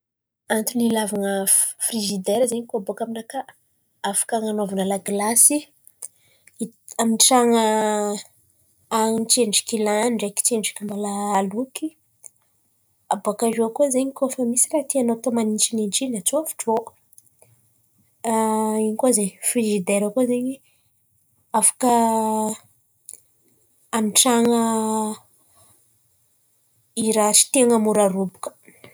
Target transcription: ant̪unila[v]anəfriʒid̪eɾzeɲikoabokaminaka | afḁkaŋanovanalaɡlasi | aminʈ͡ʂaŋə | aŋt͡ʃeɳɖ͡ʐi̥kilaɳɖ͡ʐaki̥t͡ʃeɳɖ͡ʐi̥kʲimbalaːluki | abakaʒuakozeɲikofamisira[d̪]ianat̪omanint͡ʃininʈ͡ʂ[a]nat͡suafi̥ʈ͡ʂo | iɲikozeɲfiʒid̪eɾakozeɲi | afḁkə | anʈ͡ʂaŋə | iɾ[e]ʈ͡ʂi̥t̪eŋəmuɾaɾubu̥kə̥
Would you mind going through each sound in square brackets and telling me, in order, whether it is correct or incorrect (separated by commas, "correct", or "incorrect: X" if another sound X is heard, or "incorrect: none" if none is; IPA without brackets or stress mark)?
correct, incorrect: t̪, incorrect: i, incorrect: a